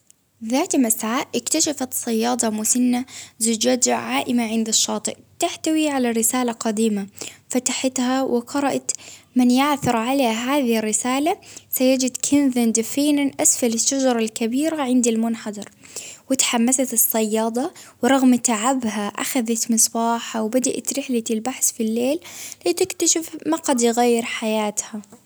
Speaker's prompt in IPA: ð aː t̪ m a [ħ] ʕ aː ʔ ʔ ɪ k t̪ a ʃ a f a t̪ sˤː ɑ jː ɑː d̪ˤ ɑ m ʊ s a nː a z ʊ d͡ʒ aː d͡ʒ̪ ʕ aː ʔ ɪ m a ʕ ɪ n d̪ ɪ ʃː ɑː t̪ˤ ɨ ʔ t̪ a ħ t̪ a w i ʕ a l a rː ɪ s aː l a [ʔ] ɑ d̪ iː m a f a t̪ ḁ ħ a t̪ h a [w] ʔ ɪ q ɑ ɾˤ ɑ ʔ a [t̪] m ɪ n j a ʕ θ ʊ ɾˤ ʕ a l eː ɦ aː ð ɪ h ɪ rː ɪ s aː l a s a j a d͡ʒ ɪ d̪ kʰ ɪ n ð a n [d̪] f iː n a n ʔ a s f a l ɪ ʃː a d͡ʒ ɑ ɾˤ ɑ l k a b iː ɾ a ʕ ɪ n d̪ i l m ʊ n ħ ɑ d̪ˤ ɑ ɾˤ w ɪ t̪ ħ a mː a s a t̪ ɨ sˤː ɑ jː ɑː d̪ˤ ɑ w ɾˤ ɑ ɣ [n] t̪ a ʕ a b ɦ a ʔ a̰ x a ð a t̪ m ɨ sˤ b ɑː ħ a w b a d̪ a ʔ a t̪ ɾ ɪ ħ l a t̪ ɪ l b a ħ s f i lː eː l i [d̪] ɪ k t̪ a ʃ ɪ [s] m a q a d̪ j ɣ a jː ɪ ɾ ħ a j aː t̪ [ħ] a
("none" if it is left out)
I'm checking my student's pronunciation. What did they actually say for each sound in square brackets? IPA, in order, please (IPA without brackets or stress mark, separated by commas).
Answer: s, q, w, t̪, d̪, m, t̪, f, h